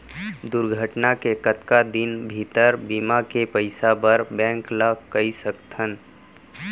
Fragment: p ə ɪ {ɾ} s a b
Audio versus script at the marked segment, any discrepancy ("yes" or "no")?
yes